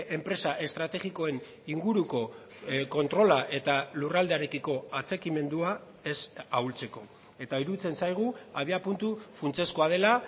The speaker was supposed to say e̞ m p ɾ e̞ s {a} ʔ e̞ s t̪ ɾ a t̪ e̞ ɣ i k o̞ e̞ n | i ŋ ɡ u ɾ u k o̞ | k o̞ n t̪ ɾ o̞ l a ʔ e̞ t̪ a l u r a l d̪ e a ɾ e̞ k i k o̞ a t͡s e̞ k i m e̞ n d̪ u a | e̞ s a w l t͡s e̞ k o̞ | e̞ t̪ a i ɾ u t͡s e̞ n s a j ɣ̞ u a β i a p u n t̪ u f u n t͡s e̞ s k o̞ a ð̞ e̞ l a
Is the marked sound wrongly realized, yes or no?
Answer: no